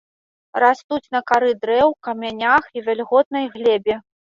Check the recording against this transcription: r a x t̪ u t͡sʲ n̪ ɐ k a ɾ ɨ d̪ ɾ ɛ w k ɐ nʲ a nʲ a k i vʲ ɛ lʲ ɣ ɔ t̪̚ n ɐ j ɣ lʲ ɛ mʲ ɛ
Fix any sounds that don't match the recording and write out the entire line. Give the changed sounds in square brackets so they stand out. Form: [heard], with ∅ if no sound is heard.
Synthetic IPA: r a [s] t̪ u t͡sʲ n̪ ɐ k a ɾ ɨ d̪ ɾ ɛ w k ɐ [mʲ] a nʲ a [x] i vʲ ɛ lʲ ɣ ɔ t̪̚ n ɐ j ɣ lʲ ɛ [bʲ] ɛ